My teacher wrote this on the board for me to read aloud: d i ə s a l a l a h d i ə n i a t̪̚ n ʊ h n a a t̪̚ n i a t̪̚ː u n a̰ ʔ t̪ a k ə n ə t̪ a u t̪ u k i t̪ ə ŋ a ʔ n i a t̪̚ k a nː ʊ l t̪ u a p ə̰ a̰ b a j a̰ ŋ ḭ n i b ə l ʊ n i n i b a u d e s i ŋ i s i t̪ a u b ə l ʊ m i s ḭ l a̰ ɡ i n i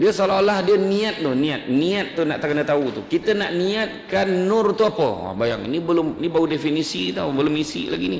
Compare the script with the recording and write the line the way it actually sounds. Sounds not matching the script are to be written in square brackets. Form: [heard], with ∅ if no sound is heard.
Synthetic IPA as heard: d i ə s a l a l a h d i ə n i a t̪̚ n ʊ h n [i] a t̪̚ n i a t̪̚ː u n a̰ ʔ t̪ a k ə n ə t̪ a u t̪ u k i t̪ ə [n] a ʔ n i a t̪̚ k a nː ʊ [r] t̪ u a p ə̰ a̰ b a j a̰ ŋ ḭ n i b ə l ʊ [m] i n i b a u d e [f] i [n] i s i t̪ a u b ə l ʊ m i s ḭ l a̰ ɡ i n i

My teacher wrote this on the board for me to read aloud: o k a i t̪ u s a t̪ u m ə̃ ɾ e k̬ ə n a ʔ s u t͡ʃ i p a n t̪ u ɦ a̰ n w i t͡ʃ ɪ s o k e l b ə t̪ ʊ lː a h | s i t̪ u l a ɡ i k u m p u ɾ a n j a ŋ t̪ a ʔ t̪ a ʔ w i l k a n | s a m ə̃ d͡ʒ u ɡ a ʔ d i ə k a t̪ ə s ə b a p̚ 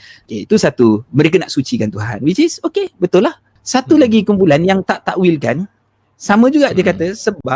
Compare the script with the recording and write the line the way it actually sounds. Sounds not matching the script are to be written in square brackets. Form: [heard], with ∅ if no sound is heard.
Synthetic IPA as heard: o k [e] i t̪ u s a t̪ u m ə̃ ɾ e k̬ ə n a ʔ s u t͡ʃ i [k] a n t̪ u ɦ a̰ n w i t͡ʃ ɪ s o k e [∅] b ə t̪ ʊ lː a h | s [a] t̪ u l a ɡ i k u m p u [l] a n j a ŋ t̪ a ʔ t̪ a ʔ w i l k a n | s a m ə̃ d͡ʒ u ɡ a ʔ d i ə k a t̪ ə s ə b a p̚

